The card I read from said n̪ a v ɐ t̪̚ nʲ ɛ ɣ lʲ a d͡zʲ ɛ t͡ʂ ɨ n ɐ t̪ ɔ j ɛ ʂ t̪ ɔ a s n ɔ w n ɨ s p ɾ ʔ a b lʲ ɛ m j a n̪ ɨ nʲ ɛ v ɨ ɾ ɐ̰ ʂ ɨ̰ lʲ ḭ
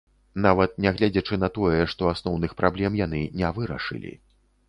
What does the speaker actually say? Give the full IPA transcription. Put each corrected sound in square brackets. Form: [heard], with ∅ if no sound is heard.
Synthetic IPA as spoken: n̪ a v ɐ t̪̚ nʲ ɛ ɣ lʲ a d͡zʲ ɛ t͡ʂ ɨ n ɐ t̪ ɔ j ɛ ʂ t̪ ɔ a s n ɔ w n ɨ [x] p ɾ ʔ a b lʲ ɛ m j a n̪ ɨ nʲ ɛ v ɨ ɾ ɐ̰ ʂ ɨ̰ lʲ ḭ